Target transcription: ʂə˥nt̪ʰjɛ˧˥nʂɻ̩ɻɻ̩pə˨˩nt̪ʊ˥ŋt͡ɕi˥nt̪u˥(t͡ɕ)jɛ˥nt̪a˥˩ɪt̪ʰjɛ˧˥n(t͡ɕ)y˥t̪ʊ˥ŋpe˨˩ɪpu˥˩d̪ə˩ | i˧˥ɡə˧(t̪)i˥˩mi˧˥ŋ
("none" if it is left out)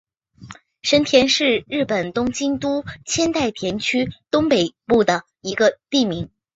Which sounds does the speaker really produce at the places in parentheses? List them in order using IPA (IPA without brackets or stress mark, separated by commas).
t͡ɕʰ, t͡ɕʰ, t̪